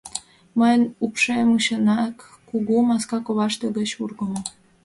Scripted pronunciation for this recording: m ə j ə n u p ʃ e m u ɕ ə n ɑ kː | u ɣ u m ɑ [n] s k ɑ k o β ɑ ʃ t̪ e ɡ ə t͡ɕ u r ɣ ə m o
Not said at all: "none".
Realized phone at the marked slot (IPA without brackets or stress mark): none